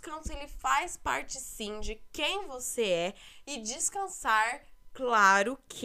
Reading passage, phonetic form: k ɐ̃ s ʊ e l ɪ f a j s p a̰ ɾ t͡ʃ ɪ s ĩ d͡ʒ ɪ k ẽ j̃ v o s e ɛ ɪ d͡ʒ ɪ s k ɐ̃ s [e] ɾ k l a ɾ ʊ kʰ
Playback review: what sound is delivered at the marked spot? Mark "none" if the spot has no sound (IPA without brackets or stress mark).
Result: a